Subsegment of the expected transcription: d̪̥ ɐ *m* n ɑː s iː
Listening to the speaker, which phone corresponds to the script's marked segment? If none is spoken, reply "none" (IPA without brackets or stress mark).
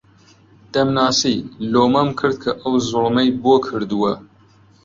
m